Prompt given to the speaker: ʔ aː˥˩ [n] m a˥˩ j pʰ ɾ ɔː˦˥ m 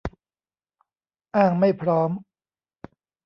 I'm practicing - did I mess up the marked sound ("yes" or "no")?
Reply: yes